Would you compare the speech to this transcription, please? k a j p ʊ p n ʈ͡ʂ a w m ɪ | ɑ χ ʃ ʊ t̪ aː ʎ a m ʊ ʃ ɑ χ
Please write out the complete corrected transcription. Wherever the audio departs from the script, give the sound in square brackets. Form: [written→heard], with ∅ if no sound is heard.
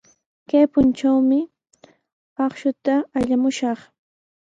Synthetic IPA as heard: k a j p ʊ [p→∅] n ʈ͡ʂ a w m ɪ | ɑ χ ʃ ʊ t̪ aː ʎ a m ʊ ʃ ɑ χ

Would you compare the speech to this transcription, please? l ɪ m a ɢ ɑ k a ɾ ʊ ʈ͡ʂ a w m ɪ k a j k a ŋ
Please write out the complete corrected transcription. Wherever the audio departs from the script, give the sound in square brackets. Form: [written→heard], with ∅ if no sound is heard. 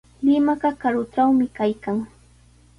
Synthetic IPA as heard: l ɪ m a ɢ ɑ k a ɾ ʊ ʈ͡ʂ a w m ɪ k a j k a ŋ

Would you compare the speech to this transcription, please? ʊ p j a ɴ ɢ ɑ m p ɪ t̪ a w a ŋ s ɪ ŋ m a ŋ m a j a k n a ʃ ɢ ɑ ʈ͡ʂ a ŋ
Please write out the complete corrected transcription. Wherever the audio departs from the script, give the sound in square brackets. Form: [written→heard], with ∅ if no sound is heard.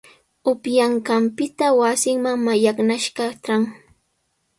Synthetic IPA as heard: ʊ p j a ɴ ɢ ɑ m p ɪ t̪ a w a [ŋ→∅] s ɪ ŋ m a ŋ m a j a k n a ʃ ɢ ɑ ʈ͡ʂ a ŋ

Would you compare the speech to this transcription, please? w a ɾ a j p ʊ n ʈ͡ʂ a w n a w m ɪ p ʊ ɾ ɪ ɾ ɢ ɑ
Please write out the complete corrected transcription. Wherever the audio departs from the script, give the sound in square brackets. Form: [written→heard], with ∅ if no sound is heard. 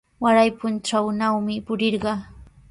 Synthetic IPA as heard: w a ɾ a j p ʊ n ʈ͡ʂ a w n a w m ɪ p ʊ ɾ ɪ ɾ ɢ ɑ

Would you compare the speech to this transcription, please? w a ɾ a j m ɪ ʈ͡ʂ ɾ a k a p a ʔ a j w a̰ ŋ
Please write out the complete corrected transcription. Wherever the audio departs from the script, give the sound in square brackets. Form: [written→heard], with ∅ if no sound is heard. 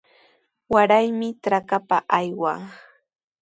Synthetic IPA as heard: w a ɾ a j m ɪ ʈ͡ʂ ɾ a k a p a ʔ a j w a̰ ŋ

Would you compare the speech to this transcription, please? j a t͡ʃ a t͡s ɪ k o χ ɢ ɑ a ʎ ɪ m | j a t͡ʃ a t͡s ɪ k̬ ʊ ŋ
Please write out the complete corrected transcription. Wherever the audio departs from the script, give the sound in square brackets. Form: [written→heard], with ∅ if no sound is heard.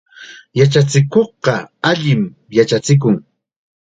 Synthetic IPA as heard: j a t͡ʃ a t͡s ɪ k o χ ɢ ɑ a ʎ ɪ m | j a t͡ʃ a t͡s ɪ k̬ ʊ ŋ

